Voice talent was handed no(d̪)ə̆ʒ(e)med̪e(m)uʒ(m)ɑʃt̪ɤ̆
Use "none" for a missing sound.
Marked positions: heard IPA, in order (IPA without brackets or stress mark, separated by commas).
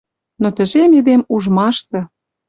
t̪, e, m, m